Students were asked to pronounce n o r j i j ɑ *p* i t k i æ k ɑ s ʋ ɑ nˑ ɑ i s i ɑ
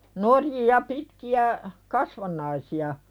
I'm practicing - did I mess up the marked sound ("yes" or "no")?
no